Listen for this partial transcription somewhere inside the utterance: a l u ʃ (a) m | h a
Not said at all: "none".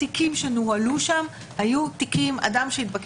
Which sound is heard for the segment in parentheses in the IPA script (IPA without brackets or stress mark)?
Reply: a